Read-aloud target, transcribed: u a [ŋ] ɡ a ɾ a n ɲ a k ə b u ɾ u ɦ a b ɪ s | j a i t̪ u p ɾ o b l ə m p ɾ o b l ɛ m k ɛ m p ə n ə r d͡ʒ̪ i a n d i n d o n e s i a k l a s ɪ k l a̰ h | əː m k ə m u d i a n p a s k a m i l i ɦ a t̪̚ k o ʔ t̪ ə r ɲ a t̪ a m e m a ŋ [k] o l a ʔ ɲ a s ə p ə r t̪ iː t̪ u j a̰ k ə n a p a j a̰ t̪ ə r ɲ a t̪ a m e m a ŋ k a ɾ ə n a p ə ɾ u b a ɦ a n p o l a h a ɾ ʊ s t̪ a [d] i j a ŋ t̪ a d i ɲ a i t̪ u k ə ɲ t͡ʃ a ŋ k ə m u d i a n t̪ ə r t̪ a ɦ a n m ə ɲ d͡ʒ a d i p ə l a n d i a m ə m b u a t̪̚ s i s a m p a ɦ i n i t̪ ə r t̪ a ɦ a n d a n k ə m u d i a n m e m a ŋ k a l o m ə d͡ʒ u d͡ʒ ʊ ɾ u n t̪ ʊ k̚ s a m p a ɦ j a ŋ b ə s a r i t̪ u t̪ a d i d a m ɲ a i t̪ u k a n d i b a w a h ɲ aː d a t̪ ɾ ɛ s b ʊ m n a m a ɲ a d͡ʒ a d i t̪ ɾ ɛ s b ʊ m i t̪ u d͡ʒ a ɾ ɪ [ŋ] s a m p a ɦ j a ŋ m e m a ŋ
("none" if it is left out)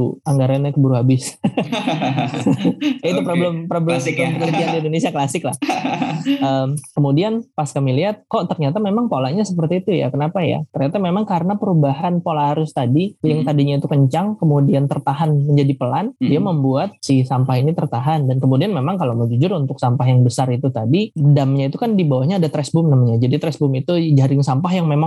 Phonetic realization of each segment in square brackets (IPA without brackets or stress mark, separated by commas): ŋ, p, d, ŋ